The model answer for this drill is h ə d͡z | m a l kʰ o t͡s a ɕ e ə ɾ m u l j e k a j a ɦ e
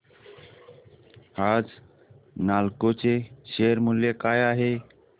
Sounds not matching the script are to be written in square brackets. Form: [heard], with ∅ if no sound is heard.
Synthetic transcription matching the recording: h [a] d͡z | [n] a l [k] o t͡s [e] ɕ e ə ɾ m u l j e k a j a ɦ e